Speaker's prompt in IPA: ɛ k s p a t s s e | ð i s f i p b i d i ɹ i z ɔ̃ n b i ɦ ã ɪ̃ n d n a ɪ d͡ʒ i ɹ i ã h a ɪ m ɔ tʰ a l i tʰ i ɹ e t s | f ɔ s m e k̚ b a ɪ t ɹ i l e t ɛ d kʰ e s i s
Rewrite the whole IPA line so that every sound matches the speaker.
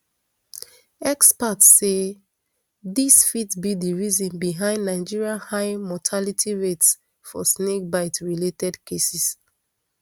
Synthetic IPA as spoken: ɛ k s p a t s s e | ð i s f i t b i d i ɹ i z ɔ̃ n b i ɦ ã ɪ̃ n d n a ɪ d͡ʒ i ɹ i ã h a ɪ m ɔ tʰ a l i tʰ i ɹ e t s | f ɔ s n e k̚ b a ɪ t ɹ i l e t ɛ d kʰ e s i s